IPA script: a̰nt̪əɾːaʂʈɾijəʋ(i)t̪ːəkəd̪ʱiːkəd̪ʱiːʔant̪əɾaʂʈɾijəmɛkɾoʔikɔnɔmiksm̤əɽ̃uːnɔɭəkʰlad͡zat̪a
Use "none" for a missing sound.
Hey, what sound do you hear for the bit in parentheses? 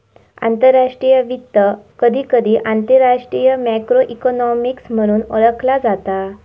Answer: i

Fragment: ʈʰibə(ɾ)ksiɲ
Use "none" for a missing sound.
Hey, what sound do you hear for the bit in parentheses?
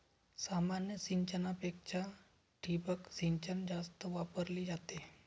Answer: none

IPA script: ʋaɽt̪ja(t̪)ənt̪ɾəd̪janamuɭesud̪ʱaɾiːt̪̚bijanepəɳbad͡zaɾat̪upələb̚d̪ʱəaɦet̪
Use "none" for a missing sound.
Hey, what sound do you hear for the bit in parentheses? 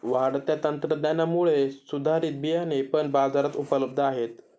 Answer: t̪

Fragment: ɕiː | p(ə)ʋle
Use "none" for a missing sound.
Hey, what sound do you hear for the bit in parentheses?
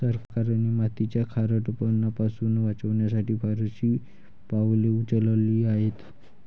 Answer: a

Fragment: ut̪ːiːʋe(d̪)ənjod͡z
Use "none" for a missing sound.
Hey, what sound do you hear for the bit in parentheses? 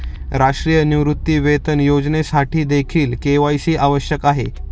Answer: t̪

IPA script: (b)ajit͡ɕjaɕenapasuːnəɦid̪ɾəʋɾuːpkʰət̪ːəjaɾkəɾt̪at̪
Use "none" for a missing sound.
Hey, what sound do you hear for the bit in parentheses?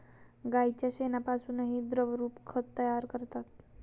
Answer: ɡ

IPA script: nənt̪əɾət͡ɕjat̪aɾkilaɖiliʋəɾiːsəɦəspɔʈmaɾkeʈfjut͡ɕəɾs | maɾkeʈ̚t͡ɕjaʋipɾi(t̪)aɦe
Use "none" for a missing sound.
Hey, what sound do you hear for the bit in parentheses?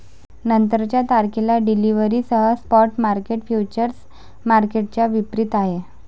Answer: t̪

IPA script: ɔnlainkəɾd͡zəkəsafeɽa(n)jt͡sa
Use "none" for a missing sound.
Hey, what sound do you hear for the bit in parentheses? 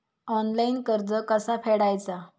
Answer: none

